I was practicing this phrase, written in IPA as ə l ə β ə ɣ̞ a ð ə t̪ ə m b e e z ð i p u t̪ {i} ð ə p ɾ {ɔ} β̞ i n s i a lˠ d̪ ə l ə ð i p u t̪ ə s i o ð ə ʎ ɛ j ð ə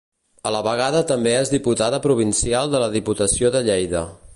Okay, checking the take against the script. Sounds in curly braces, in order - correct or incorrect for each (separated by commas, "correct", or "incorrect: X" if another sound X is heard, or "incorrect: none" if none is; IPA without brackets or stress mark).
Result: incorrect: a, incorrect: u